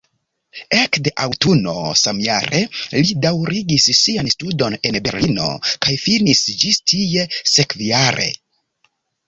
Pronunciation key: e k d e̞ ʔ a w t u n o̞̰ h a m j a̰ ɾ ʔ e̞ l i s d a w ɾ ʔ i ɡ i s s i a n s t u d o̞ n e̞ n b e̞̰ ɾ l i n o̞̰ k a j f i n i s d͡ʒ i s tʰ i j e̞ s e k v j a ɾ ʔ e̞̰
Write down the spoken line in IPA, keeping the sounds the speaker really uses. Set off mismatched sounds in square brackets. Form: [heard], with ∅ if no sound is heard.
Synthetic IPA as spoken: e k d e̞ ʔ a w t u n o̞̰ [s] a m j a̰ ɾ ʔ e̞ l i [∅] d a w ɾ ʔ i ɡ i s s i a n s t u d o̞ n e̞ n b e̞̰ ɾ l i n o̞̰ k a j f i n i s d͡ʒ i s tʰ i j e̞ s e k v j a ɾ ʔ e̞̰

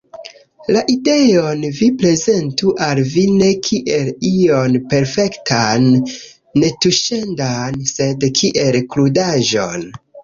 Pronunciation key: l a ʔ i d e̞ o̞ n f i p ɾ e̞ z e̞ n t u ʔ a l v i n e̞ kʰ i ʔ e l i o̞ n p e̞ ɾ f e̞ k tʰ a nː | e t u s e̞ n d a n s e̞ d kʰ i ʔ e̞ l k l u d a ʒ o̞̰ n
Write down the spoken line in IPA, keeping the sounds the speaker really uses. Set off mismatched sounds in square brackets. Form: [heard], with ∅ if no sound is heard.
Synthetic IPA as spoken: l a ʔ i d e̞ o̞ n [v] i p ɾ e̞ z e̞ n t u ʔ a l v i n e̞ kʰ i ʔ e l i o̞ n p e̞ ɾ f e̞ k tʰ a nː | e t u [ʃ] e̞ n d a n s e̞ d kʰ i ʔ e̞ l k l u d a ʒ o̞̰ n

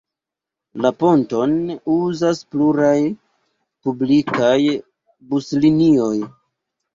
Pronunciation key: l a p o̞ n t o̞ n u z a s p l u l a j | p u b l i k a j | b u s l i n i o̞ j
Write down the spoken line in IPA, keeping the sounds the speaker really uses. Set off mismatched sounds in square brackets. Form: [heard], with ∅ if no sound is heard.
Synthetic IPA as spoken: l a p o̞ n t o̞ n u z a s p l u [ɾ] a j | p u b l i k a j | b u s l i n i o̞ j

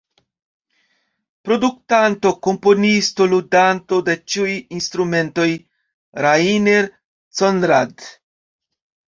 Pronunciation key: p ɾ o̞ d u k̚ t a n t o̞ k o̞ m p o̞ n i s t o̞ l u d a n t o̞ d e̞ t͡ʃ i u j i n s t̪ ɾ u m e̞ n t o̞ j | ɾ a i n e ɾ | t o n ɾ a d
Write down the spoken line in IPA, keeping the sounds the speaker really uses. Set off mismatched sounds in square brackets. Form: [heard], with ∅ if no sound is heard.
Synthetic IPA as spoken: p ɾ o̞ d u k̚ t a n t o̞ k o̞ m p o̞ n i s t o̞ l u d a n t o̞ d e̞ t͡ʃ i u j i n s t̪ ɾ u m e̞ n t o̞ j | ɾ a i n e ɾ | [t͡s] o n ɾ a d

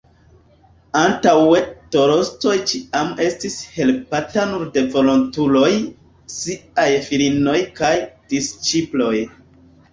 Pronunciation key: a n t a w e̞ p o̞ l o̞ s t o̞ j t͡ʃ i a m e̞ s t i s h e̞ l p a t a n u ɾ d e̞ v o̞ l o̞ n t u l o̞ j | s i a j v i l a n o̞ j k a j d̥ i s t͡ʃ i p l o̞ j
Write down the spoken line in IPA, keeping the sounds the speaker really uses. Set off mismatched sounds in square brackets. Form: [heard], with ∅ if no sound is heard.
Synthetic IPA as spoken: a n t a w e̞ [t] o̞ [ɾ] o̞ s t o̞ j t͡ʃ i a m e̞ s t i s h e̞ l p a t a n u ɾ d e̞ v o̞ l o̞ n t u l o̞ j | s i a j [f] i l [i] n o̞ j k a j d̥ i s t͡ʃ i p l o̞ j

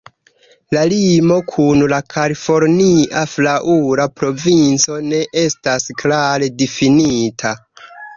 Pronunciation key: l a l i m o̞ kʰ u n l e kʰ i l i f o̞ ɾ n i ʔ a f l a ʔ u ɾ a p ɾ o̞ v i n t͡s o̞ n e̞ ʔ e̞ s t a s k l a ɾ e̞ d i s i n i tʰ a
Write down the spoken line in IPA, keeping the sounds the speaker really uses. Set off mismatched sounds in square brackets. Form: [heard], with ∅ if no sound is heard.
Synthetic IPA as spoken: l a l i m o̞ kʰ u n l [a] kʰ [a] l i f o̞ ɾ n i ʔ a f l a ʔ u ɾ a p ɾ o̞ v i n t͡s o̞ n e̞ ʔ e̞ s t a s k l a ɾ e̞ d i [f] i n i tʰ a

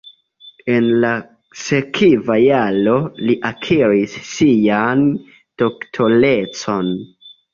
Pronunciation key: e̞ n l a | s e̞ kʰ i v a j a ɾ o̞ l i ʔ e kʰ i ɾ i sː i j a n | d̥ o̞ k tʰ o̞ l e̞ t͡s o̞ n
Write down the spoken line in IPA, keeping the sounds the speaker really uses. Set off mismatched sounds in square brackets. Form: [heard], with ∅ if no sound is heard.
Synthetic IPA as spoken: e̞ n l a | s e̞ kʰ i v a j a [l] o̞ l i ʔ [a] kʰ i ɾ i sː i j a n | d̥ o̞ k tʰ o̞ l e̞ t͡s o̞ n

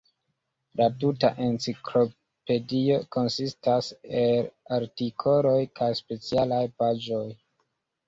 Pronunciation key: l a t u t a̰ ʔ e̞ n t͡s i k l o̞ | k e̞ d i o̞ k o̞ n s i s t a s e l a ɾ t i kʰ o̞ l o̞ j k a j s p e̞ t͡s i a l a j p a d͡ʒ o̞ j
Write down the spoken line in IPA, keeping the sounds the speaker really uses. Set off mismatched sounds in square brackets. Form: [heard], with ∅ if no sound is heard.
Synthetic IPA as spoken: l a t u t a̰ ʔ e̞ n t͡s i k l o̞ | [p] e̞ d i o̞ k o̞ n s i s t a s e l a ɾ t i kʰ o̞ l o̞ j k a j s p e̞ t͡s i a l a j p a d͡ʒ o̞ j

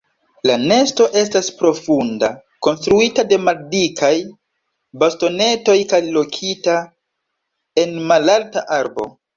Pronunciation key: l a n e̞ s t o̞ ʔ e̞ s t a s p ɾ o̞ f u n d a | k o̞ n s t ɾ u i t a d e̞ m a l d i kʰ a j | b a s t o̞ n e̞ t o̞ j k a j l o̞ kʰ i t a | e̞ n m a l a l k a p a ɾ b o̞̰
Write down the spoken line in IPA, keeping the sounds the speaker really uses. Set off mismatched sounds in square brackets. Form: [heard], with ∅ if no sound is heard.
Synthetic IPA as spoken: l a n e̞ s t o̞ ʔ e̞ s t a s p ɾ o̞ f u n d a | k o̞ n s t ɾ u i t a d e̞ m a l d i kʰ a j | b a s t o̞ n e̞ t o̞ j k a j l o̞ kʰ i t a | e̞ n m a l a l [t] a [ʔ] a ɾ b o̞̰

